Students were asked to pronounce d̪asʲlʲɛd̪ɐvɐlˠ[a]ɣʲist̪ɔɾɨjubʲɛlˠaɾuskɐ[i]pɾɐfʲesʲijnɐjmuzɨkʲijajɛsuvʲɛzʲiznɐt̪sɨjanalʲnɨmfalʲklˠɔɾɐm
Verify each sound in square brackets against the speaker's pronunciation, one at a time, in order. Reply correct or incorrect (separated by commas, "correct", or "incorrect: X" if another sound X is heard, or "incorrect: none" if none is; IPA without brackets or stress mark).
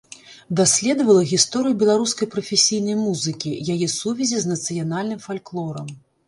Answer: incorrect: ɐ, incorrect: j